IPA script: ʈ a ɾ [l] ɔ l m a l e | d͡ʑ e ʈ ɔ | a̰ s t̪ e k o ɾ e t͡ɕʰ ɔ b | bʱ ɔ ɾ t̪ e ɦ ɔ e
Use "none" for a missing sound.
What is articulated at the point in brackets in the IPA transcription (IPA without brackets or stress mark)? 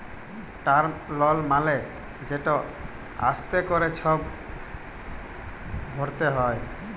l